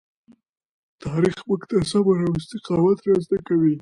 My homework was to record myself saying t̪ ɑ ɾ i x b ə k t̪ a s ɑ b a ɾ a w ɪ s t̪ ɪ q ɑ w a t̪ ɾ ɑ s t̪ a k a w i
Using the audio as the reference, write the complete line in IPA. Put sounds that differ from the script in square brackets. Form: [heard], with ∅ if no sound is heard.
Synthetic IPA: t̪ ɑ ɾ i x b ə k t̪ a s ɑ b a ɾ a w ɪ s t̪ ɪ q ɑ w a t̪ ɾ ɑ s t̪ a k a w i